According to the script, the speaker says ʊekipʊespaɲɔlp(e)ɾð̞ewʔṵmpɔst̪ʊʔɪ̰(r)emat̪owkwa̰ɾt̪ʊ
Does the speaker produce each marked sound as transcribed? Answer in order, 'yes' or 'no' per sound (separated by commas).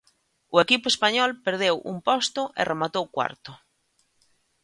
yes, yes